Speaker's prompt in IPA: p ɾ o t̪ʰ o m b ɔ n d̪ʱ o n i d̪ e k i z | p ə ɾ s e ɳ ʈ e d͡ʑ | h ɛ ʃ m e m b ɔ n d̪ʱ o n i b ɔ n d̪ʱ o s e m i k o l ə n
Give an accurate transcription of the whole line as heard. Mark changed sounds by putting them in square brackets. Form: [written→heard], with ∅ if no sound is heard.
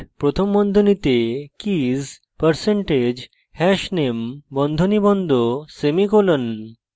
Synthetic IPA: p ɾ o t̪ʰ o m b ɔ n d̪ʱ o n i [d̪→t̪] e k i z | p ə ɾ s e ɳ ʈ e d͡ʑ | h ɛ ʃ [m→n] e m b ɔ n d̪ʱ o n i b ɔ n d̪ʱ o s e m i k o l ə n

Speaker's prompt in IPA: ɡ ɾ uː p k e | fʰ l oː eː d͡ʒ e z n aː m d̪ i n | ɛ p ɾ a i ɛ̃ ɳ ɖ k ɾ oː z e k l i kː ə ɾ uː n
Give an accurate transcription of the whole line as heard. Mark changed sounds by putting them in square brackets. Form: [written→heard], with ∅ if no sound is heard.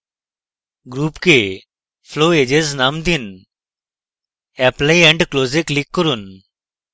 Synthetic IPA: ɡ ɾ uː p k e | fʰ l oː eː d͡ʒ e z n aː m d̪ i n | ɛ p [ɾ→l] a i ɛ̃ ɳ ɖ k [ɾ→l] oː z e k l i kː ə ɾ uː n

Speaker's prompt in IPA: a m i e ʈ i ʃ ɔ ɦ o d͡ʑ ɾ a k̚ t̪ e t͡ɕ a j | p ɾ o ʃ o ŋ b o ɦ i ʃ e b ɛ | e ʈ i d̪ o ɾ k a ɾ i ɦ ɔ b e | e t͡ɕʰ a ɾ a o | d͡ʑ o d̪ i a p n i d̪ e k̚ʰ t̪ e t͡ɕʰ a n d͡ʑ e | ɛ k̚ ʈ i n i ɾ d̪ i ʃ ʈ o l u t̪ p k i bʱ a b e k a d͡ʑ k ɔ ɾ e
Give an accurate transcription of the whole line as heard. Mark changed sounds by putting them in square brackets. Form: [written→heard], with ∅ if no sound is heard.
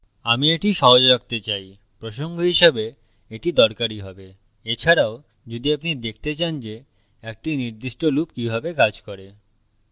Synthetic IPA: a m i e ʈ i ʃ ɔ ɦ o d͡ʑ ɾ a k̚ t̪ e t͡ɕ a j | p ɾ o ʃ o ŋ [b→ɡ] o ɦ i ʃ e b [ɛ→e] | e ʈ i d̪ [o→ɔ] ɾ k a ɾ i ɦ ɔ b e | e t͡ɕʰ a ɾ a o | d͡ʑ o d̪ i a p n i d̪ e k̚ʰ t̪ e [t͡ɕʰ→t͡ɕ] a n d͡ʑ e | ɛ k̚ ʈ i n i ɾ d̪ i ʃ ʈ o l u [t̪→∅] p k i bʱ a b e k a d͡ʑ k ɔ ɾ e

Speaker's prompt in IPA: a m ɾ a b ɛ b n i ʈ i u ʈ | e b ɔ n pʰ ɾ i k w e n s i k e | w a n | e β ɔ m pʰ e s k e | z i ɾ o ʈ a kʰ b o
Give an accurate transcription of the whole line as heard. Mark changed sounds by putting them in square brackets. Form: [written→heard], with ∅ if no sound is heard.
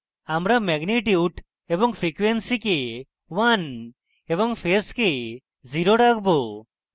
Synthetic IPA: a m ɾ a [b→m] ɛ [b→ɡ] n i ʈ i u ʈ | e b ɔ [n→ŋ] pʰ ɾ i k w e n s i k e | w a n | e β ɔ [m→ŋ] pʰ e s k e | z i ɾ o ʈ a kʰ b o

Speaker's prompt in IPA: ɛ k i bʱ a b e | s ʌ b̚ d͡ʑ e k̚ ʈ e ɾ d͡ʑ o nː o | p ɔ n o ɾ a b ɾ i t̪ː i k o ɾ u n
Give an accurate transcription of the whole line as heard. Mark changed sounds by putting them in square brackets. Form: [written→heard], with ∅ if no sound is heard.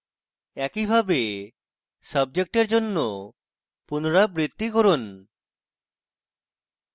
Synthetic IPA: ɛ k i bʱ a b e | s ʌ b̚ d͡ʑ e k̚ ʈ e ɾ d͡ʑ o nː o | p [ɔ→u] n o ɾ a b ɾ i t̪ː i k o ɾ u n

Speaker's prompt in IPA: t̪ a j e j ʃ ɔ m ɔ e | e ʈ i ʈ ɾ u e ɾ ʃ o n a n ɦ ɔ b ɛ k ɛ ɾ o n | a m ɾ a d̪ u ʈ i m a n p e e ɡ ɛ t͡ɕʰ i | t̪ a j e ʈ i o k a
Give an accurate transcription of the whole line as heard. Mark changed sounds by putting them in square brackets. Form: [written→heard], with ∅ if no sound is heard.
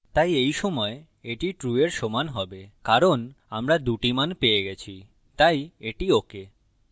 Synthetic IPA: t̪ a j e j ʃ ɔ m ɔ e | e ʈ i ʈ ɾ u e ɾ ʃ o [n→m] a n ɦ ɔ b [ɛ→e] k [ɛ→a] ɾ o n | a m ɾ a d̪ u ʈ i m a n p e e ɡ ɛ t͡ɕʰ i | t̪ a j e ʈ i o k [a→e]

